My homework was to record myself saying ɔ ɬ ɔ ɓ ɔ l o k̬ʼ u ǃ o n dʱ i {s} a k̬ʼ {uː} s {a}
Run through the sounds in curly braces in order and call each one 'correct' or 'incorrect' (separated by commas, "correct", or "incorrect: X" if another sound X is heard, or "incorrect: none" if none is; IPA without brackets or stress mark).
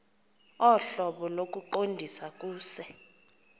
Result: correct, correct, incorrect: ɛ